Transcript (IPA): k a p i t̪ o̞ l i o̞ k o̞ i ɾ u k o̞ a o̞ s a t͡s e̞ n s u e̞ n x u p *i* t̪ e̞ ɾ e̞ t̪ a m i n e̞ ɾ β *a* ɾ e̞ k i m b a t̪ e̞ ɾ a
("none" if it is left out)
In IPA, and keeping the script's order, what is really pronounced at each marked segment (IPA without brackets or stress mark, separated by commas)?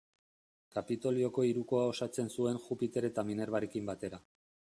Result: i, a